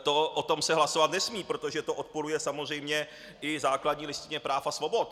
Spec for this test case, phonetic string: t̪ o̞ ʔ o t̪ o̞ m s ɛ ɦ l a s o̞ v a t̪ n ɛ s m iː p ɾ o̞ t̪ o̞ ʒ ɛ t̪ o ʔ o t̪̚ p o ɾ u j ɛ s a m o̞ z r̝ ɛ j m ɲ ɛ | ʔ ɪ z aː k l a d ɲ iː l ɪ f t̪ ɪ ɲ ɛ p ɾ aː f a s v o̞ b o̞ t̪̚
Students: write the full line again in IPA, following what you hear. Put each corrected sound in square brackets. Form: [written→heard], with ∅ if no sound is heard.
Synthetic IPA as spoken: t̪ o̞ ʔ o t̪ o̞ m s ɛ ɦ l a s o̞ v a t̪ n ɛ s m iː p ɾ o̞ t̪ o̞ ʒ ɛ t̪ o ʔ o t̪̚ p o ɾ u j ɛ s a m o̞ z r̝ ɛ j m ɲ ɛ | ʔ ɪ z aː k l a d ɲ iː l ɪ [f→s] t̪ ɪ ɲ ɛ p ɾ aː f a s v o̞ b o̞ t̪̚